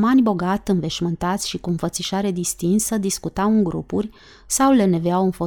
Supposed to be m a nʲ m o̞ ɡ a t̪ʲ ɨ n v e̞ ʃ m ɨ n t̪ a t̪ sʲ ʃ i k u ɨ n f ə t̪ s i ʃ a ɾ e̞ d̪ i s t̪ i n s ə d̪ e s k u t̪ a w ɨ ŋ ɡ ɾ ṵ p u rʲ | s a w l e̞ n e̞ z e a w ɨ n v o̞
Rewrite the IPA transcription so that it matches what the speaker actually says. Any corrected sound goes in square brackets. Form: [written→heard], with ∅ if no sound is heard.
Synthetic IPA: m a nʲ [m→b] o̞ ɡ a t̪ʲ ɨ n v e̞ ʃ m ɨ n t̪ a t̪ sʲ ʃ i k u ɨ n f ə t̪ s i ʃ a ɾ e̞ d̪ i s t̪ i n s ə d̪ [e→i] s k u t̪ a w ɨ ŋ ɡ ɾ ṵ p u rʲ | s a w l e̞ n e̞ [z→v] e a w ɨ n [v→f] o̞